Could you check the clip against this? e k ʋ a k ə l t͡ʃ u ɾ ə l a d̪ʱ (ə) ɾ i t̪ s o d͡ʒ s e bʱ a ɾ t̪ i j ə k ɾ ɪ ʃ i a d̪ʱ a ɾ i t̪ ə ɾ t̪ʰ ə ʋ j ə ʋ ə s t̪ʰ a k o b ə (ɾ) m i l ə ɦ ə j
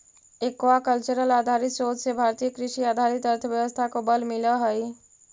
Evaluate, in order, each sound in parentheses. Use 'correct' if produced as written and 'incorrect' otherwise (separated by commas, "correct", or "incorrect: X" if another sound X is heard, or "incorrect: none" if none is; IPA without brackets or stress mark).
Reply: incorrect: a, incorrect: l